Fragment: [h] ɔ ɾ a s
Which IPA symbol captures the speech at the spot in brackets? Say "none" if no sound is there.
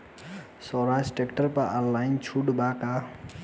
s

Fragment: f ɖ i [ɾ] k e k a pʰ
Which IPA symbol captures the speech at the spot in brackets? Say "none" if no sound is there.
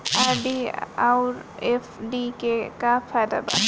none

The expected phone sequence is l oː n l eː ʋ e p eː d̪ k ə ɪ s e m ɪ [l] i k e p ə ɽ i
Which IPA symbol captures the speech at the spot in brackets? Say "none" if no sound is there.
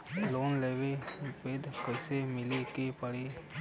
l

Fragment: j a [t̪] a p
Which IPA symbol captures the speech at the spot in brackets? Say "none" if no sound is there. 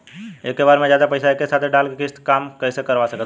d̪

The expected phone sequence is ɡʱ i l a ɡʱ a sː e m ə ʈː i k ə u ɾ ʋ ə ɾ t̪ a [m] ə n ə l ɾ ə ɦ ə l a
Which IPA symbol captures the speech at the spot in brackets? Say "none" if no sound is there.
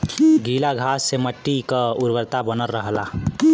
b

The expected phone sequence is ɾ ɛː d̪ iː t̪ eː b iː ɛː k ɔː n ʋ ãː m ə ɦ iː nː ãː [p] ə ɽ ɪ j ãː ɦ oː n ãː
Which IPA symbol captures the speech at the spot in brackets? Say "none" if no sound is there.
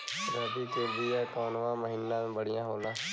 b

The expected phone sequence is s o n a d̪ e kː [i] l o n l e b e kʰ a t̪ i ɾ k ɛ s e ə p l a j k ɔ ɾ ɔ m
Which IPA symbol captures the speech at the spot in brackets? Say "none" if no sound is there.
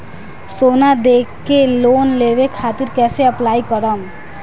e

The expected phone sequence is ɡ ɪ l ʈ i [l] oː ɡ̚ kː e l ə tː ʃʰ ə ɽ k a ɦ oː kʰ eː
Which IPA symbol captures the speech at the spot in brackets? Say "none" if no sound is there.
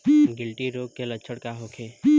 ɾ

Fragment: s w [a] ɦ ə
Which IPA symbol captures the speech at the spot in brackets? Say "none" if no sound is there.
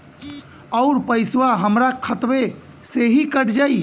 a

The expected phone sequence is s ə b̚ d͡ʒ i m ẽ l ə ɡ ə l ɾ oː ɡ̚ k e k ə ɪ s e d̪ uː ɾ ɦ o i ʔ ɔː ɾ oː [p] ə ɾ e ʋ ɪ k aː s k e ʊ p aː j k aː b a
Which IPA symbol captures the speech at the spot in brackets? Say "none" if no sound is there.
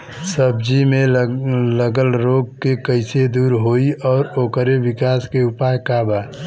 k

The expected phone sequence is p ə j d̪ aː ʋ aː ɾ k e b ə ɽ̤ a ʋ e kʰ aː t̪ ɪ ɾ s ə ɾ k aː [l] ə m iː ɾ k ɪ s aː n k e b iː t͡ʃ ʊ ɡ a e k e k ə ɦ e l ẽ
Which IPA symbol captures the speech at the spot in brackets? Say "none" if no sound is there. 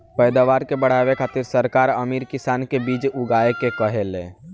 ɾ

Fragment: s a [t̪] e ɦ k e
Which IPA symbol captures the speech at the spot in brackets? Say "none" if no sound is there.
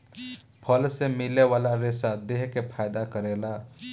d̪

